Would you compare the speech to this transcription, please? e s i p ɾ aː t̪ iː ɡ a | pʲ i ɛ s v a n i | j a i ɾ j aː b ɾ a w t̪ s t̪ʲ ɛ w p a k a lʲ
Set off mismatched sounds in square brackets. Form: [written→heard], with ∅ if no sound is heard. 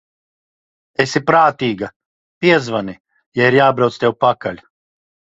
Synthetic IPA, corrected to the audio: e s i p ɾ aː t̪ iː ɡ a | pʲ i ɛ [s→z] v a n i | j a i ɾ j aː b ɾ a w t̪ s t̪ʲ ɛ w p a k a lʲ

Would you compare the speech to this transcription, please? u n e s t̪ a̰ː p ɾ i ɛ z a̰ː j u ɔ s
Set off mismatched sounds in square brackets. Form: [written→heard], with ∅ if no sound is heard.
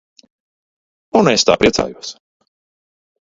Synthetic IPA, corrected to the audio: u n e s t̪ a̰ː p ɾ i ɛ [z→s] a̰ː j u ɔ s

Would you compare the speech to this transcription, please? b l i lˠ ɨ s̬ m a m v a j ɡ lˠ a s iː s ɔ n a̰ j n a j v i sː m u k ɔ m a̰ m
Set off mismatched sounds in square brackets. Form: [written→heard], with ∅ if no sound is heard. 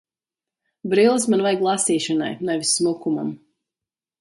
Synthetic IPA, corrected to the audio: b [l→ɾ] i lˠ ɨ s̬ m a [m→n] v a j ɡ lˠ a s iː [s→ʃ] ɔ n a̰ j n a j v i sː m u k [ɔ→u] m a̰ m

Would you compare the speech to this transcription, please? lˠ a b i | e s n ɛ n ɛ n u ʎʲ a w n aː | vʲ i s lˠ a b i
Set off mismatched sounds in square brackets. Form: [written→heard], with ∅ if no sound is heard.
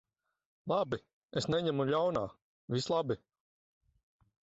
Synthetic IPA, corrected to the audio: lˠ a b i | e s n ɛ [n→ɲ] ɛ [n→m] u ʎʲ a w n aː | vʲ i s lˠ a b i

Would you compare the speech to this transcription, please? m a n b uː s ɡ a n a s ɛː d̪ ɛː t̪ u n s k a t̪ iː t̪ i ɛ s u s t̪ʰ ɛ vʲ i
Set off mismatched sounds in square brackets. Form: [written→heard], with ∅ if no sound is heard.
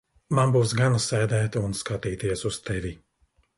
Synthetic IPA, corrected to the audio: m a n b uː s ɡ a n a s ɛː d̪ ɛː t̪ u n s k a t̪ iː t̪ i ɛ s u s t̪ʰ ɛ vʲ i

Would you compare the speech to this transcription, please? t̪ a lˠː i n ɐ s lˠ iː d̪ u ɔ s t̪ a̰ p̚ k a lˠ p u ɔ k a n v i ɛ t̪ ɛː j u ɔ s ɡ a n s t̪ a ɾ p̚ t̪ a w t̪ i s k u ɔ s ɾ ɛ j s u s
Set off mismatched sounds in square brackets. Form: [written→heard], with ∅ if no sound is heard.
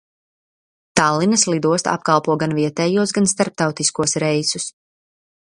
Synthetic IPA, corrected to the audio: t̪ a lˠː i n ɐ s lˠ [iː→i] d̪ u ɔ s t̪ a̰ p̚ k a lˠ p u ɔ [k→ɡ] a n v i ɛ t̪ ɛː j u ɔ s ɡ a n s t̪ a ɾ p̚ t̪ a w t̪ i s k u ɔ s ɾ ɛ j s u s

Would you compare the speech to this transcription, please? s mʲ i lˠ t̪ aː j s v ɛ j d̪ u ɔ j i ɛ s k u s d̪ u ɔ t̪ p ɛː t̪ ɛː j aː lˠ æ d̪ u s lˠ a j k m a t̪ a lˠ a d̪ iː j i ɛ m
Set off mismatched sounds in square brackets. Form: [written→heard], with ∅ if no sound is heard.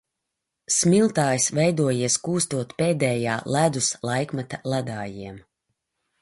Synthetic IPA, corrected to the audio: s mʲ i lˠ t̪ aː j s v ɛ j d̪ u ɔ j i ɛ s k [u→uː] s [d̪→t̪] u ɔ t̪ p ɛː [t̪→d̪] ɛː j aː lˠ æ d̪ u s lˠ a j k m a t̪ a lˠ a d̪ [iː→aː] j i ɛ m

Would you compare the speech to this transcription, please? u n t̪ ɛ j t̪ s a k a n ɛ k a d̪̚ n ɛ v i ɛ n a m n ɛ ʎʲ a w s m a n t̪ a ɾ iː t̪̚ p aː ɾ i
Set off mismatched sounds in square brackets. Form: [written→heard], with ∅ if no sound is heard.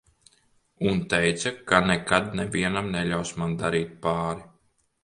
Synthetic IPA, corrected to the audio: u n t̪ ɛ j t̪ s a k a n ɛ k a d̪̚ n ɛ v i ɛ n a m n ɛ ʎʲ a w s m a n [t̪→d̪] a ɾ iː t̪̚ p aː ɾ i

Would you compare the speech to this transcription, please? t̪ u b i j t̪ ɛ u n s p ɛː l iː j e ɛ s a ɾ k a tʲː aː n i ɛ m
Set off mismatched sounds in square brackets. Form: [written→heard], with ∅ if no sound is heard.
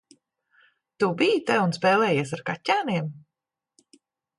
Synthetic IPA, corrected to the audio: t̪ u b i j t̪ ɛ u n s p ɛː l [iː→ɛː] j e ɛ s a ɾ k a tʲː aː n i ɛ m

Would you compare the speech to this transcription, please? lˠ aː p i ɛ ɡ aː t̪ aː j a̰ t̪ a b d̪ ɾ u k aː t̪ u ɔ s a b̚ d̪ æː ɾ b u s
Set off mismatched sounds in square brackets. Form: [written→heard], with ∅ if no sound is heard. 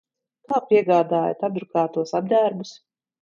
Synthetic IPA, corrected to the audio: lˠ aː p i ɛ ɡ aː [t̪→d̪] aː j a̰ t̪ a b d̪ ɾ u k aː t̪ u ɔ s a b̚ d̪ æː ɾ b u s

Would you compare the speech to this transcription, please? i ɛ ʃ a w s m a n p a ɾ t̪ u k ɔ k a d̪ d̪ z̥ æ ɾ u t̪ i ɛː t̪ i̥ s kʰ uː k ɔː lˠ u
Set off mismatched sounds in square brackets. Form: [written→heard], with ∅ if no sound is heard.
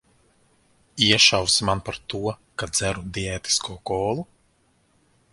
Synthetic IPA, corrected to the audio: i ɛ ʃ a w s m a n p a ɾ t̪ u [k→∅] ɔ k a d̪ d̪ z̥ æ ɾ u [t̪→d̪] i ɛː t̪ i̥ s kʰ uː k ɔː lˠ u

